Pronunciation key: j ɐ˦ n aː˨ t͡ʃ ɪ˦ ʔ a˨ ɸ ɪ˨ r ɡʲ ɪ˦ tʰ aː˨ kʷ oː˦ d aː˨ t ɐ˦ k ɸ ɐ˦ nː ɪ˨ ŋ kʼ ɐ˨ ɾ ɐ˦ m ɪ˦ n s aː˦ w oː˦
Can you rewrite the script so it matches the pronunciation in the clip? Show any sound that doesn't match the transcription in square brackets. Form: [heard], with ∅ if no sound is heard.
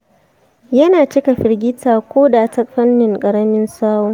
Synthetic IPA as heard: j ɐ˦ n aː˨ t͡ʃ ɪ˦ [k] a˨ ɸ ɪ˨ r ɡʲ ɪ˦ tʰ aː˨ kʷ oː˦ d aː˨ t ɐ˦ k ɸ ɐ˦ nː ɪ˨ ŋ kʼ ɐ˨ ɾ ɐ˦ m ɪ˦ n s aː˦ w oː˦